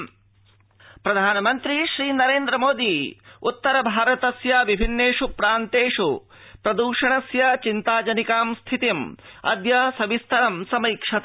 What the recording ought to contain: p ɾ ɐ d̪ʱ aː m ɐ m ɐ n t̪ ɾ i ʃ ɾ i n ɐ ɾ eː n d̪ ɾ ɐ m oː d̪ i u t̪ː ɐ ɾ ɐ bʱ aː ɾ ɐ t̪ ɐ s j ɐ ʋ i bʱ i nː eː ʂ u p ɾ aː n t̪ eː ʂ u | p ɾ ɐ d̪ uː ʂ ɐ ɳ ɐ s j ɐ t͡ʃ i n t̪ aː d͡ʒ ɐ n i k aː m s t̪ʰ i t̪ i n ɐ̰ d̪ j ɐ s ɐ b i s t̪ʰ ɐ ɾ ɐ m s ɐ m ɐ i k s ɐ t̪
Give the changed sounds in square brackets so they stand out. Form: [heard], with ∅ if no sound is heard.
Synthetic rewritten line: p ɾ ɐ d̪ʱ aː [n] ɐ m ɐ n t̪ ɾ i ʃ ɾ [iː] n ɐ ɾ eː n d̪ ɾ ɐ m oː d̪ i u t̪ː ɐ ɾ ɐ bʱ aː ɾ ɐ t̪ ɐ s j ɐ ʋ i bʱ i nː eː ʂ u p ɾ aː n t̪ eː ʂ u | p ɾ ɐ d̪ uː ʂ ɐ ɳ ɐ s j ɐ t͡ʃ i n t̪ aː d͡ʒ ɐ n i k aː m s t̪ʰ i t̪ i [m] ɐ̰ d̪ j ɐ s ɐ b i s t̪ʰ ɐ ɾ ɐ m s ɐ m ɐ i k [ʂ] ɐ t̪